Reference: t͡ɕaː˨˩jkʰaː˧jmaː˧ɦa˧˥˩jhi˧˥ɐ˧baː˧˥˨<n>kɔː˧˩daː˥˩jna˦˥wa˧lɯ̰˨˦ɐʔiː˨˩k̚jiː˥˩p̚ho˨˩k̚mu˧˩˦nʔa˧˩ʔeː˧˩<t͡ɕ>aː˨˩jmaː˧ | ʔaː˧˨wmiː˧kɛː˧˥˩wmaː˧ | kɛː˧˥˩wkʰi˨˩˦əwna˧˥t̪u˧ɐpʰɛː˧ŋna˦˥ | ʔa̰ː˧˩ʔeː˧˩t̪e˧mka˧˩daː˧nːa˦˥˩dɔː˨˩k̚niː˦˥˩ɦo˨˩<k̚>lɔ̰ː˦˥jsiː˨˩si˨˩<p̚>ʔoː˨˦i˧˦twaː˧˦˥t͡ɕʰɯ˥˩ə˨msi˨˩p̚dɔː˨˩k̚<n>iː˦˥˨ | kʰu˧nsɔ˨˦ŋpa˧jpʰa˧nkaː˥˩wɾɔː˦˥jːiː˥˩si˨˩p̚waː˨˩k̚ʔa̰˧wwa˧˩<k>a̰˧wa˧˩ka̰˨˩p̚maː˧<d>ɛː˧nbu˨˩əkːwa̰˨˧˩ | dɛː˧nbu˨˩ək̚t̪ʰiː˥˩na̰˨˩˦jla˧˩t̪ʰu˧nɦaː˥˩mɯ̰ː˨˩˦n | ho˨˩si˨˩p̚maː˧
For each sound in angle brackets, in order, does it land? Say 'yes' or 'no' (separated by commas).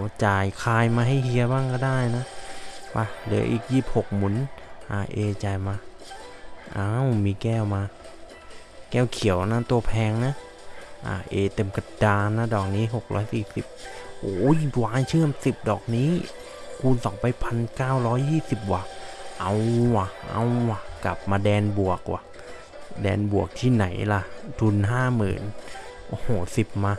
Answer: no, yes, yes, yes, yes, no, yes